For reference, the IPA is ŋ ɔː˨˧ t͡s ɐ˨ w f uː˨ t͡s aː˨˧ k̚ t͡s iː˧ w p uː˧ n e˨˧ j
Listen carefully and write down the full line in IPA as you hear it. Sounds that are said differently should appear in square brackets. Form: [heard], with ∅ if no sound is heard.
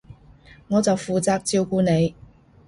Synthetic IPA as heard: ŋ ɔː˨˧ t͡s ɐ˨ w f uː˨ t͡s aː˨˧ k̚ t͡s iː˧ w [k] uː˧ n e˨˧ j